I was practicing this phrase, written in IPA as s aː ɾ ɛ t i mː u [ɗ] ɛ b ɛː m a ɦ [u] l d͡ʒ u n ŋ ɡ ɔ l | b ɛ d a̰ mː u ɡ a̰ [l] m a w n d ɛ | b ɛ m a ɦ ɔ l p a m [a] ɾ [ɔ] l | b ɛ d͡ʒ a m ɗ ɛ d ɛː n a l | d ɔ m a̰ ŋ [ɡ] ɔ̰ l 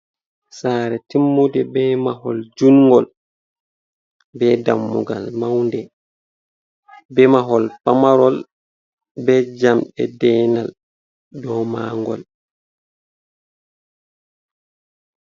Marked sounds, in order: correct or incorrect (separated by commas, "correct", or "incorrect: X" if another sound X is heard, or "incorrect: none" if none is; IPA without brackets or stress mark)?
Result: incorrect: d, incorrect: ɔ, correct, correct, correct, correct